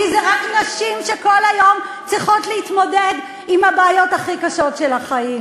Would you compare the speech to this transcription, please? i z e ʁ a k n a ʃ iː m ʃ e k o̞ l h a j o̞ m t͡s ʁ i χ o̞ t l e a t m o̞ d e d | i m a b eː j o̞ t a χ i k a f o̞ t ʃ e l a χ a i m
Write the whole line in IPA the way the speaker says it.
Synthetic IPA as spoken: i z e ʁ a k n a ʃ i m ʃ e k o̞ l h a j o̞ m t͡s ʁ i χ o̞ t l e i t m o̞ d e d | i m a b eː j o̞ t a χ i k a ʃ o̞ t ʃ e l a χ a i m